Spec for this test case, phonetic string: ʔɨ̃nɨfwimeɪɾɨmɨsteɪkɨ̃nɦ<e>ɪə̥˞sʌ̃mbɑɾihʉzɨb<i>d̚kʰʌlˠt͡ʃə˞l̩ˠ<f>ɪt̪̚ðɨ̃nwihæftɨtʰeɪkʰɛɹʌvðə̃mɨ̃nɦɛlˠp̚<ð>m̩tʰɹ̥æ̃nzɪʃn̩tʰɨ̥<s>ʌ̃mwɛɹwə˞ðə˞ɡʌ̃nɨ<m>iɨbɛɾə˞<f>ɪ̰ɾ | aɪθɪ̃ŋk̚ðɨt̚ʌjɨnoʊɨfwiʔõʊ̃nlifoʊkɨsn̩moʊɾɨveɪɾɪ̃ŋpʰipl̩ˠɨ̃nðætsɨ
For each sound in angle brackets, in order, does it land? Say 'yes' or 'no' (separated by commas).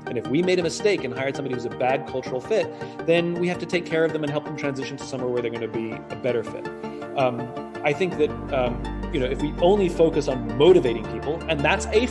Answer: no, no, yes, yes, yes, no, yes